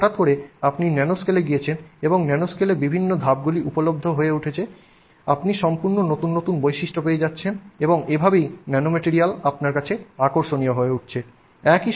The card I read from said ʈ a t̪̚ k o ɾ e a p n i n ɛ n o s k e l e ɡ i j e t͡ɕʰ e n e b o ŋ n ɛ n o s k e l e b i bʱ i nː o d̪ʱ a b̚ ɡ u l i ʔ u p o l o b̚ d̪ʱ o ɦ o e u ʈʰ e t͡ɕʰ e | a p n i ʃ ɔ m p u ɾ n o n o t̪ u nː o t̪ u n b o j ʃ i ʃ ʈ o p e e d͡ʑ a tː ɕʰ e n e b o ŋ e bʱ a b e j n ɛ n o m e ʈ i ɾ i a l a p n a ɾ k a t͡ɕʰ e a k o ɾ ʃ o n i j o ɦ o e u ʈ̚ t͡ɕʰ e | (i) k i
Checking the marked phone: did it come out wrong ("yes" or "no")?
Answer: yes